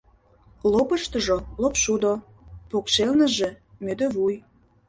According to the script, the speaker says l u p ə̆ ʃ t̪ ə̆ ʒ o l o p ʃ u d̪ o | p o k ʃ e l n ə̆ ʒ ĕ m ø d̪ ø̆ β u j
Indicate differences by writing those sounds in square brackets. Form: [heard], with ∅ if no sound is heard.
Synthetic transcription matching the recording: l [o] p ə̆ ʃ t̪ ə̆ ʒ o l o p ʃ u d̪ o | p o k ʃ e l n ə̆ ʒ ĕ m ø d̪ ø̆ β u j

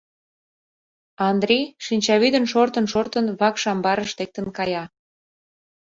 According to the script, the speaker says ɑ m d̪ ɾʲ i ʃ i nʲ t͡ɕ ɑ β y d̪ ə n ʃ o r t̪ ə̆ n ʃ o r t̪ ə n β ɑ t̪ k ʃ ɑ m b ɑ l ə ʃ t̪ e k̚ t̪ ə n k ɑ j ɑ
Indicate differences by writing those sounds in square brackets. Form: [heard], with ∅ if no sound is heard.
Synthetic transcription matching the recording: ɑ [n] d̪ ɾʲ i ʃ i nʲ t͡ɕ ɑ β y d̪ ə n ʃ o r t̪ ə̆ n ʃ o r t̪ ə n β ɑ [∅] k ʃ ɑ m b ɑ [ɾ] ə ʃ t̪ e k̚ t̪ ə n k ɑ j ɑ

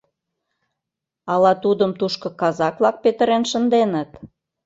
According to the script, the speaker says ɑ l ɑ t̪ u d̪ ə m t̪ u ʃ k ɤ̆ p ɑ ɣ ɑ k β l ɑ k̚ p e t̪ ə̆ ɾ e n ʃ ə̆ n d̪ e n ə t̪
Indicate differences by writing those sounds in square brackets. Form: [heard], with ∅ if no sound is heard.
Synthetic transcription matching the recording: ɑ l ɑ t̪ u d̪ ə m t̪ u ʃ k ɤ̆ [k] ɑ [z] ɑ k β l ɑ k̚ p e t̪ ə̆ ɾ e n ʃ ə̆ n d̪ e n ə t̪

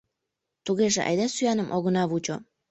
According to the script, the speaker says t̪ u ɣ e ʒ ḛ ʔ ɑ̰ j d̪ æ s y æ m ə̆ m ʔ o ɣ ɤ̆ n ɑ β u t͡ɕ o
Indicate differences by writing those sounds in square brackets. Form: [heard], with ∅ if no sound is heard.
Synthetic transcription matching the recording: t̪ u ɣ e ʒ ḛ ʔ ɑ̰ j d̪ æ s y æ [n] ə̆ m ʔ o ɣ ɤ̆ n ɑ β u t͡ɕ o

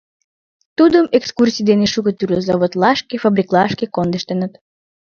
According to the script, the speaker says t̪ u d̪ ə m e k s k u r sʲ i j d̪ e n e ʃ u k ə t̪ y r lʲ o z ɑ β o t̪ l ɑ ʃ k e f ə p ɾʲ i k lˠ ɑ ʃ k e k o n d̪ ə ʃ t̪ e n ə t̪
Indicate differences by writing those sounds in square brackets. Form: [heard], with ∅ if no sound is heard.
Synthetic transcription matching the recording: t̪ u d̪ ə m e k s k u r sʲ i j d̪ e n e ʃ u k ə t̪ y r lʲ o z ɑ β o t̪ l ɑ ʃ k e f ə [b] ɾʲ i k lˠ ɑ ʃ k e k o n d̪ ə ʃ t̪ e n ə t̪

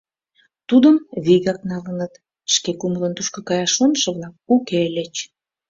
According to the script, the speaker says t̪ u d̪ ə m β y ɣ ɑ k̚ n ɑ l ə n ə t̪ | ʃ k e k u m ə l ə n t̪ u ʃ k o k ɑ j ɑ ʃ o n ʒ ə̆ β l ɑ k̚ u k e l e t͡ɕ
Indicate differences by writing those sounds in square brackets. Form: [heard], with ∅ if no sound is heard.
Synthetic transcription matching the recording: t̪ u d̪ ə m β [i] ɣ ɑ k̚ n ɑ l ə n ə t̪ | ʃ k e k u m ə l ə n t̪ u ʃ k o k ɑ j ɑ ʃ o n [ʃ] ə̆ β l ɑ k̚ u k e l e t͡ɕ

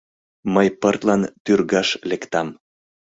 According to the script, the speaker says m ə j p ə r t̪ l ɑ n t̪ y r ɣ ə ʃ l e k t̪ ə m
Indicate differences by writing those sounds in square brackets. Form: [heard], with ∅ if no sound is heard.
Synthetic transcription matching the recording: m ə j p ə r t̪ l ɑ n t̪ y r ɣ [ɑ] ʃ l e k t̪ [ɑ] m

